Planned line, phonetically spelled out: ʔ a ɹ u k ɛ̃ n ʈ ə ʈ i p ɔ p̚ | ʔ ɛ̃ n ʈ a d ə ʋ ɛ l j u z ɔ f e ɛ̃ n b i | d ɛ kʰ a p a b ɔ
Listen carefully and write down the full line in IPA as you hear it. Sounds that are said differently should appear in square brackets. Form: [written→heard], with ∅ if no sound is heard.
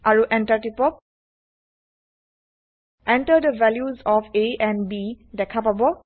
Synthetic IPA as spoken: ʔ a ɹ u [k→ʔ] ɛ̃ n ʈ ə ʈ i p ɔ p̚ | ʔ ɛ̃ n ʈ [a→ə] d ə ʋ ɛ l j u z ɔ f e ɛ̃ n b i | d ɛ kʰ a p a b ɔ